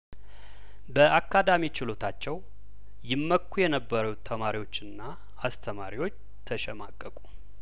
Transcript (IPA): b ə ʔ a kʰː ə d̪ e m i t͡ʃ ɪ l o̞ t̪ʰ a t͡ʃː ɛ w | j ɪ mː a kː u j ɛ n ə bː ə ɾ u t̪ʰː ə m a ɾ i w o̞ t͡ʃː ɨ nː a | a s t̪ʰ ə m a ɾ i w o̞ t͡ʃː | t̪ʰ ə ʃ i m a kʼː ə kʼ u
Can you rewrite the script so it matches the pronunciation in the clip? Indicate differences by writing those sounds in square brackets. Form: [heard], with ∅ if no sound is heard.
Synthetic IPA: b ə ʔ a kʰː [a] d̪ [a] m i t͡ʃ ɪ l o̞ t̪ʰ a t͡ʃː ɛ w | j ɪ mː [ə] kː u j ɛ n ə bː ə ɾ u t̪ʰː ə m a ɾ i w o̞ t͡ʃː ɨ nː a | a s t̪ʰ ə m a ɾ i w o̞ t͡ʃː | t̪ʰ ə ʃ [ɛ] m a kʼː ə kʼ u